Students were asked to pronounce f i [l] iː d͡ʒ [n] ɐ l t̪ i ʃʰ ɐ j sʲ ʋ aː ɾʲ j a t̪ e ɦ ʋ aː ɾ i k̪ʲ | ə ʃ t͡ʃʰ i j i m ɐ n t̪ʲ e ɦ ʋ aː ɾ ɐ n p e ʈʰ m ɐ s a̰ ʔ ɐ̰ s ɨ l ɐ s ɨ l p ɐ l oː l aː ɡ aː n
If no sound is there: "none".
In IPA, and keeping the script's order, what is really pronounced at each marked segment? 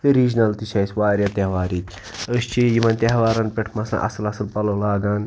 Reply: ɾ, n

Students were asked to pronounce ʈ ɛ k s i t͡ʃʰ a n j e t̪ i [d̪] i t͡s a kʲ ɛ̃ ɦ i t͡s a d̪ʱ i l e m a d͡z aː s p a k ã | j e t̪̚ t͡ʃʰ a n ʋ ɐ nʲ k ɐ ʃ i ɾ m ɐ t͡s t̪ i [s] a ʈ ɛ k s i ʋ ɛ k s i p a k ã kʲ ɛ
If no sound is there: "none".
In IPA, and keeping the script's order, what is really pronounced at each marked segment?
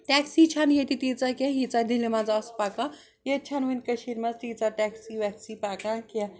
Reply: t̪, t͡s

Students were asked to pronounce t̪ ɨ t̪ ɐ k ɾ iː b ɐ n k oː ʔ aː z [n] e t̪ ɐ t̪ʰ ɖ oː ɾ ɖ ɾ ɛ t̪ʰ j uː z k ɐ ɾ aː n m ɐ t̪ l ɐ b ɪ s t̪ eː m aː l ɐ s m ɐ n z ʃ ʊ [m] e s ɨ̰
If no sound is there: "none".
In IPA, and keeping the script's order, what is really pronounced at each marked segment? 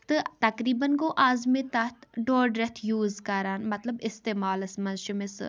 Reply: m, m

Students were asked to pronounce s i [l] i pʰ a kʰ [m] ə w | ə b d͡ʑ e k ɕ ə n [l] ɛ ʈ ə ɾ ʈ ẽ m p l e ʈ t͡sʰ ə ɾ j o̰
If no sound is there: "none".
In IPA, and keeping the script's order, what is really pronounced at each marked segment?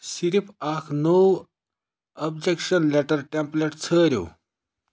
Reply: ɾ, n, l

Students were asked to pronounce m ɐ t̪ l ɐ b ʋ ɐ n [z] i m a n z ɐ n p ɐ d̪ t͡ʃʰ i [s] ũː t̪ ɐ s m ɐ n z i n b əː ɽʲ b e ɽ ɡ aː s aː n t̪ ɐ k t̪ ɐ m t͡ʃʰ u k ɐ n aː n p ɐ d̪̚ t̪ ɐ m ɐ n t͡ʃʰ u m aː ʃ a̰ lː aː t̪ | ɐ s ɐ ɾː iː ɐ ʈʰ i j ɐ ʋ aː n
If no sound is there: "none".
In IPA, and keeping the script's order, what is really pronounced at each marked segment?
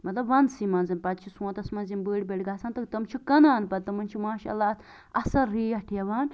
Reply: s, s

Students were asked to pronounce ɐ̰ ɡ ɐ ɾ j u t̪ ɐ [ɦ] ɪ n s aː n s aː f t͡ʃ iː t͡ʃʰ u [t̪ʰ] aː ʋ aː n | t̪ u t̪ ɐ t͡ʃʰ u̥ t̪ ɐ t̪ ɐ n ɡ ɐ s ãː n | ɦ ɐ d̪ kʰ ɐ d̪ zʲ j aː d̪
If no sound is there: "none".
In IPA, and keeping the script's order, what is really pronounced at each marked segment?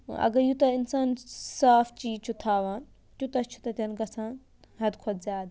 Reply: none, t̪ʰ

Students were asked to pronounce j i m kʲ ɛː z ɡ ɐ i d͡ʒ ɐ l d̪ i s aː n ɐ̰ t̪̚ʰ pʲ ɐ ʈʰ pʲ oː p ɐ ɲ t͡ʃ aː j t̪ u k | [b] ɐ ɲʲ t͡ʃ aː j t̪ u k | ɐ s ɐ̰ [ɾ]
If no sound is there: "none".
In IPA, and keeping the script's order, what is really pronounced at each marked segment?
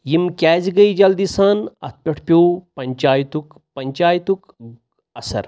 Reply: p, ɾ

